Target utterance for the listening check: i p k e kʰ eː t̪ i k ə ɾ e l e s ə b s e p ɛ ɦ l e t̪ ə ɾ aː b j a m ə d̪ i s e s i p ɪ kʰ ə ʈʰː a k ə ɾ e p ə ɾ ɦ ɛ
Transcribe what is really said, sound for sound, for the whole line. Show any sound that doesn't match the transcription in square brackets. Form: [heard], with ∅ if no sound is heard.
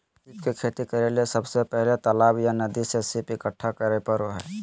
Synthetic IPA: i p k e kʰ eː t̪ i k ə ɾ e l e s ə b s e p ɛ ɦ l e t̪ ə [l] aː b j a [n] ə d̪ i s e s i p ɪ [k] ə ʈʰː a k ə ɾ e p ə ɾ ɦ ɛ